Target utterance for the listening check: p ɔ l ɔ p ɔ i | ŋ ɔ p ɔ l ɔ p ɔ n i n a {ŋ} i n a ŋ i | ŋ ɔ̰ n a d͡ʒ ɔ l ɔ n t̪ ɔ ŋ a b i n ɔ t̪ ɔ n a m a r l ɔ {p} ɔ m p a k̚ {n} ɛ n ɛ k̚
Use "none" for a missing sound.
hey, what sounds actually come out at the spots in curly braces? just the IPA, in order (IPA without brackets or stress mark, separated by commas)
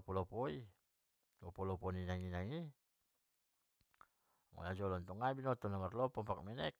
ŋ, p, m